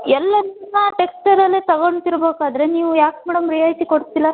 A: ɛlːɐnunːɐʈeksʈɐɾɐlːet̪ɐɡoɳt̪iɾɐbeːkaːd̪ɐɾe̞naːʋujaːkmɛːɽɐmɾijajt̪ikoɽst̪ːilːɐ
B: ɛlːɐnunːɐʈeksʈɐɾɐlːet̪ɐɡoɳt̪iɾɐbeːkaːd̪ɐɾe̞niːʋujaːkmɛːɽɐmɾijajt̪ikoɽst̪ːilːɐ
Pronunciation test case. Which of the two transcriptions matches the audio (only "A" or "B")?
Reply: B